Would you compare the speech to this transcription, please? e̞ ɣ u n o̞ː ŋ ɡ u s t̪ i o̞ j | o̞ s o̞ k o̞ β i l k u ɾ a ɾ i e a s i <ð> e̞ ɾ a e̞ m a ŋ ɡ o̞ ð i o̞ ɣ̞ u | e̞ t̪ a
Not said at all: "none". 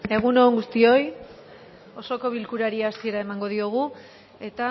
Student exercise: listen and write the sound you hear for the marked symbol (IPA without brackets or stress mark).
none